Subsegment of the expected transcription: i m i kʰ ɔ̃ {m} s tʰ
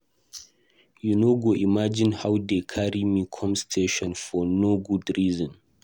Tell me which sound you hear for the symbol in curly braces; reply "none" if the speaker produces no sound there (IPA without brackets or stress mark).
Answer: m